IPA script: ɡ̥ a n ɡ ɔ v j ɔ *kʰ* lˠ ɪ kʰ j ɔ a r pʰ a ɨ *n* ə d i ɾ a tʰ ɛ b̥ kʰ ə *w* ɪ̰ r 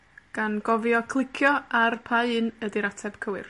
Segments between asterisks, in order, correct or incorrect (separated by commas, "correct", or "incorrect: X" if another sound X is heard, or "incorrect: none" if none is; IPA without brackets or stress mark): correct, correct, correct